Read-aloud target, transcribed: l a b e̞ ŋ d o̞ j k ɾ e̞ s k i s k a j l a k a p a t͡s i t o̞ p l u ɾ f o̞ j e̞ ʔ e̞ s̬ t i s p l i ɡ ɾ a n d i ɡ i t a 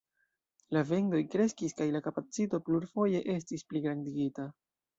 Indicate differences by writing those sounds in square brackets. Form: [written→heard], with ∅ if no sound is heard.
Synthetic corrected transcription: l a [b→v] e̞ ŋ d o̞ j k ɾ e̞ s k i s k a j l a k a p a t͡s i t o̞ p l u ɾ f o̞ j e̞ ʔ e̞ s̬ t i s p l i ɡ ɾ a n d i ɡ i t a